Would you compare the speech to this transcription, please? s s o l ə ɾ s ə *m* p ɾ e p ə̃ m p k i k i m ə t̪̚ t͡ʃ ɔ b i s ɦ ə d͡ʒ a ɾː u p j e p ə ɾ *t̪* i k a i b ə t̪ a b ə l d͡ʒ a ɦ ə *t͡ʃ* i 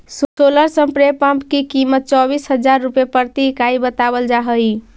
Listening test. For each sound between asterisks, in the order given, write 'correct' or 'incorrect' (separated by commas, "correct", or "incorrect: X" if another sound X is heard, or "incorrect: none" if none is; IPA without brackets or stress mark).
correct, correct, incorrect: none